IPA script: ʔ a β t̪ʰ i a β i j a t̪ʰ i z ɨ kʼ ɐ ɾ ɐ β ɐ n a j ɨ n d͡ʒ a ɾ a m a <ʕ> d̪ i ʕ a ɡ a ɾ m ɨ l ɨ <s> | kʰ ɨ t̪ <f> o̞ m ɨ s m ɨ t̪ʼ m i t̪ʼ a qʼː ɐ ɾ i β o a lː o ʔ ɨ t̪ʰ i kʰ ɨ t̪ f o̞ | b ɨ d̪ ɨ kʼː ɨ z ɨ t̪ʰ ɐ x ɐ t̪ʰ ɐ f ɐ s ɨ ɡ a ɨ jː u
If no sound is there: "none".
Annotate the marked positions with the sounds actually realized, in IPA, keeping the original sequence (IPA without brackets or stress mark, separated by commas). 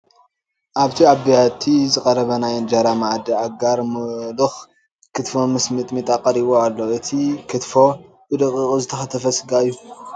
ʕ, x, f